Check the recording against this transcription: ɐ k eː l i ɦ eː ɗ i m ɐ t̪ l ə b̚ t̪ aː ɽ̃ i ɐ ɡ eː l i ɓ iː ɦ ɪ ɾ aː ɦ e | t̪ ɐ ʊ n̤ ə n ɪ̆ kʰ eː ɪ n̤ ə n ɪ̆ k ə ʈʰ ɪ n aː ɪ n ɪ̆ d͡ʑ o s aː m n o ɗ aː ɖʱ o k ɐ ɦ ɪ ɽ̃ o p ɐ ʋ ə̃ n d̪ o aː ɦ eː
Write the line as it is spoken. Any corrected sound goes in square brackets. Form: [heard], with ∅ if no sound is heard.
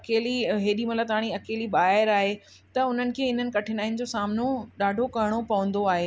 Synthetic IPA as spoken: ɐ k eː l i ɦ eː ɗ i m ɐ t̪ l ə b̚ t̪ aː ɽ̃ i ɐ [k] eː l i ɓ [aː] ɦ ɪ ɾ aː ɦ e | t̪ ɐ ʊ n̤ ə n ɪ̆ kʰ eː ɪ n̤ ə n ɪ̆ k [ɐ] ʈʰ ɪ n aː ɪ n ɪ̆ d͡ʑ o s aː m n o ɗ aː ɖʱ o k ɐ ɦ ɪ ɽ̃ o p ɐ ʋ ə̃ n d̪ o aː ɦ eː